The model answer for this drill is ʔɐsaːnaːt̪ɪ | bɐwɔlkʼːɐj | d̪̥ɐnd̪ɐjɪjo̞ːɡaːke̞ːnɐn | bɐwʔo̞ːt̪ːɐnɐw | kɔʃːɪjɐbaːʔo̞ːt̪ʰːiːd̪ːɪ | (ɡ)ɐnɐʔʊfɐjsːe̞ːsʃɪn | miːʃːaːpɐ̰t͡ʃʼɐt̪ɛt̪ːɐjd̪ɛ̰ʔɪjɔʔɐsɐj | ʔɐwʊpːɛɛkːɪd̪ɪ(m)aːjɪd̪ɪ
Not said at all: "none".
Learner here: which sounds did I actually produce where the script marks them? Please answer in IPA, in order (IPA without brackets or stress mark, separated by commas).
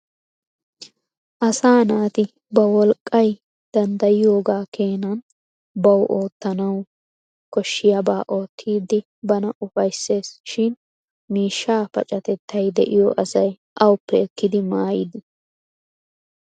b, m